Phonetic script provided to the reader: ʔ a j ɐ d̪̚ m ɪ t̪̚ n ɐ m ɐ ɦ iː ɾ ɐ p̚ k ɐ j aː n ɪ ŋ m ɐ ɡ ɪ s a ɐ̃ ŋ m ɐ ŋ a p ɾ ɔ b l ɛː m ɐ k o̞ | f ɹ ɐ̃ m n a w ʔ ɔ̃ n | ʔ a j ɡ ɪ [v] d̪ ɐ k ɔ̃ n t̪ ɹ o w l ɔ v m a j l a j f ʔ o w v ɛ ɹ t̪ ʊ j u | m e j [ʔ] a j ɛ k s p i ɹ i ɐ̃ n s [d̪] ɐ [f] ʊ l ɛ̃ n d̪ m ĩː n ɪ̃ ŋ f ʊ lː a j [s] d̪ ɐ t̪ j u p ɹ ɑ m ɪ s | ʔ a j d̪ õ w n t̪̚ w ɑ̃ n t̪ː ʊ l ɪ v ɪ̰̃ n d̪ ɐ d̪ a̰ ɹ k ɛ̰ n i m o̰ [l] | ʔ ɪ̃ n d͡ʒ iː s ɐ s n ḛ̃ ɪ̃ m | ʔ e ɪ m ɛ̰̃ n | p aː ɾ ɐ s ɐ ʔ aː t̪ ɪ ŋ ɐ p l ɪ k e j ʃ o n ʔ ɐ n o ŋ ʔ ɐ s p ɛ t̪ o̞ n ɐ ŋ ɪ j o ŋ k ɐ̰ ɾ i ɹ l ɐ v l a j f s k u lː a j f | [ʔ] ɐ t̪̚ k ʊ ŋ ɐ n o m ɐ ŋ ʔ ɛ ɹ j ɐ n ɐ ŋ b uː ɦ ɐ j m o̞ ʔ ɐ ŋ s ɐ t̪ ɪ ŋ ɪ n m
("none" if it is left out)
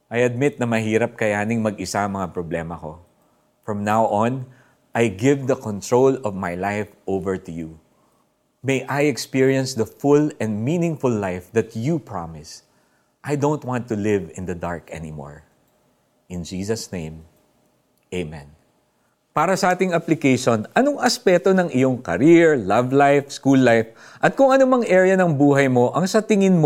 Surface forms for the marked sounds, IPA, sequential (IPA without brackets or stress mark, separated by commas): v, ʔ, d̪, f, f, ɹ, ʔ